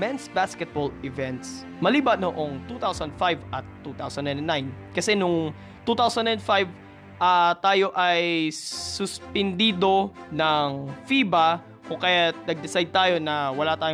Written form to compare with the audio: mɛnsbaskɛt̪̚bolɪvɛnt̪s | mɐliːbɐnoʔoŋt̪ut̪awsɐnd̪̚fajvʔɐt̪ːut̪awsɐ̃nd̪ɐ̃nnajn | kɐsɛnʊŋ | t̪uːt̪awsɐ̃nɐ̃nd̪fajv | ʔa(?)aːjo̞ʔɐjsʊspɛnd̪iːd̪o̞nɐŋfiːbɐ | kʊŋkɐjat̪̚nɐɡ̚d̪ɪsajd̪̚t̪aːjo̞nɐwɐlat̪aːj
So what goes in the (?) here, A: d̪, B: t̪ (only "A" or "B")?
B